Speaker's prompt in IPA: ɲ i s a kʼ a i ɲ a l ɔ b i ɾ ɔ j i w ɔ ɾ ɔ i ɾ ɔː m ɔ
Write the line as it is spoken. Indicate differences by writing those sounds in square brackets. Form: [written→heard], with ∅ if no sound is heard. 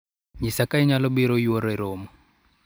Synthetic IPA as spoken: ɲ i s a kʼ a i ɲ a l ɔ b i ɾ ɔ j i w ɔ ɾ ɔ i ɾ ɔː m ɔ